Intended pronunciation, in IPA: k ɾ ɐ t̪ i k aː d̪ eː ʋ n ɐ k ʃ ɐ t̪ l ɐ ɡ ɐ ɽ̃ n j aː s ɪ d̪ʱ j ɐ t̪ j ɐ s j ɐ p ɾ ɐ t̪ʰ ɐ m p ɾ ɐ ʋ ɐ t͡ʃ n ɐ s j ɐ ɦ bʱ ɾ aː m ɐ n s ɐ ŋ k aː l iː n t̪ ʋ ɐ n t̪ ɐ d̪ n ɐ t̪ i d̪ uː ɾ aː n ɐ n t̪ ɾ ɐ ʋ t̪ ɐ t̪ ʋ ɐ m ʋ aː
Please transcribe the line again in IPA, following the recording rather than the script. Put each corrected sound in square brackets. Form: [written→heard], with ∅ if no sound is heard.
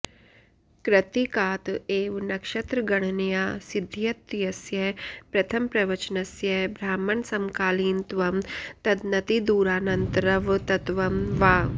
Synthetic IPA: k ɾ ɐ t̪ i k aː [d̪→t̪] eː ʋ n ɐ k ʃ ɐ t̪ [l→ɾ] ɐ ɡ ɐ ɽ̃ n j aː s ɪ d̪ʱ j ɐ t̪ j ɐ s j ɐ p ɾ ɐ t̪ʰ ɐ m p ɾ ɐ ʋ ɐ t͡ʃ n ɐ s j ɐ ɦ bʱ ɾ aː m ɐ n s ɐ [ŋ→m] k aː l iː n t̪ ʋ ɐ [n→m] t̪ ɐ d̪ n ɐ t̪ i d̪ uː ɾ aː n ɐ n t̪ ɾ ɐ ʋ t̪ ɐ t̪ ʋ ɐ m ʋ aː